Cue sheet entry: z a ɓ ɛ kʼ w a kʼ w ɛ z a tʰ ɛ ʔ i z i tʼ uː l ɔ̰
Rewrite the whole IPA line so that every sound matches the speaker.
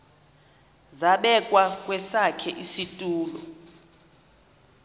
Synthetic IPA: z a ɓ ɛ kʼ w a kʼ w ɛ s a kʰ ɛ ʔ i s i tʼ uː l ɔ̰